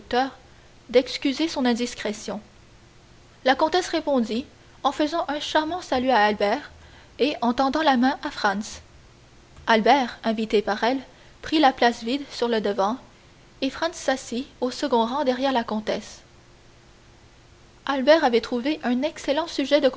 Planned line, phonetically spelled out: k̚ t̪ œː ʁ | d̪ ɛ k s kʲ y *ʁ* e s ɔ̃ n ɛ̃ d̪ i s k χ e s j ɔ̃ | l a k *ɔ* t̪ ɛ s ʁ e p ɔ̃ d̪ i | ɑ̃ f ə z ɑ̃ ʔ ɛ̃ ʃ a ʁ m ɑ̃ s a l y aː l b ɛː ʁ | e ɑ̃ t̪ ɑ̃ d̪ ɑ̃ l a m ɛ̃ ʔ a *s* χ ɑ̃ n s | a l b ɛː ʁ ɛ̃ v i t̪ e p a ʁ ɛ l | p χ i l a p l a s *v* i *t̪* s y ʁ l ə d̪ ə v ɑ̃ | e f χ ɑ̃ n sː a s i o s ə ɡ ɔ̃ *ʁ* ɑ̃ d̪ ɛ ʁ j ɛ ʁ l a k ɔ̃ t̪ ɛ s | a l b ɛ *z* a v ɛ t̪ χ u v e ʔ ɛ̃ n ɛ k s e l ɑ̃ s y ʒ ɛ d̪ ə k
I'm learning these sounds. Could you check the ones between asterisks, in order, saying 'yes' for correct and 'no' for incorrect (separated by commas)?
no, no, no, yes, no, yes, no